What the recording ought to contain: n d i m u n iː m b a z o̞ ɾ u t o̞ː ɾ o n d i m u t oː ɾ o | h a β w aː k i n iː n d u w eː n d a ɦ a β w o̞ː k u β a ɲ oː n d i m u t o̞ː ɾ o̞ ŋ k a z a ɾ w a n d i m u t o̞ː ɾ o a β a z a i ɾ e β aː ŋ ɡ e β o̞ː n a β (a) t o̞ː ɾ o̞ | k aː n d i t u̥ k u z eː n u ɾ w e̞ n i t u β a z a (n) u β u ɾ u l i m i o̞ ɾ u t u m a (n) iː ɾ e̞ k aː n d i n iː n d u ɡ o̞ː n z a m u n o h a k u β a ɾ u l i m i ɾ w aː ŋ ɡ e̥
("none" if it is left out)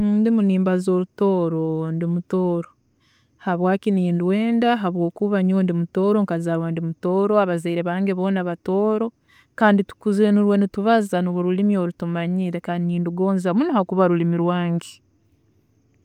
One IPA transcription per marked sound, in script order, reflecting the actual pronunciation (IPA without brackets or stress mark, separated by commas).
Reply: a, n, ɲ